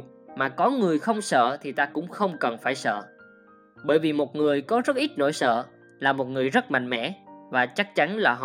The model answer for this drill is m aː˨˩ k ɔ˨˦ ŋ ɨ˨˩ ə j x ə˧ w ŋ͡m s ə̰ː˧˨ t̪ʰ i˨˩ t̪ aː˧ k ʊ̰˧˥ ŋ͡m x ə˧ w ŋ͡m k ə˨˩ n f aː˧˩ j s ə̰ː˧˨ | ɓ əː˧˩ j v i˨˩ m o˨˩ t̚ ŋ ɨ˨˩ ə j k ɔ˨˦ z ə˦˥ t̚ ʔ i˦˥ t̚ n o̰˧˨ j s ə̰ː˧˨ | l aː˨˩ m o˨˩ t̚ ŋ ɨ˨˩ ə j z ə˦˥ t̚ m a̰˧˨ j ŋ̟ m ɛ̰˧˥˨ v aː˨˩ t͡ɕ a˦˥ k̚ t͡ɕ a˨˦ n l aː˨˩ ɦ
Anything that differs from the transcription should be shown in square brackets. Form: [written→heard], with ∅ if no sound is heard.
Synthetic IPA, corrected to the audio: m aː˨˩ k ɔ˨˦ ŋ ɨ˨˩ ə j x ə˧ w ŋ͡m s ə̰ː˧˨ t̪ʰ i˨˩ t̪ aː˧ k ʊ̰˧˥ ŋ͡m x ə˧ w ŋ͡m k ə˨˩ n f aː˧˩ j s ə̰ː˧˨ | ɓ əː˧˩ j v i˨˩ m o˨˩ t̚ ŋ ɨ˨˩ ə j k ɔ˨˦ z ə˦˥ t̚ ʔ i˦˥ t̚ n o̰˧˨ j s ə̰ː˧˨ | l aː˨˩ m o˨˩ t̚ ŋ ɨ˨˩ ə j z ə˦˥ t̚ m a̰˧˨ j ŋ̟ m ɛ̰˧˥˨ v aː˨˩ t͡ɕ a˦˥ k̚ t͡ɕ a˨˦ n l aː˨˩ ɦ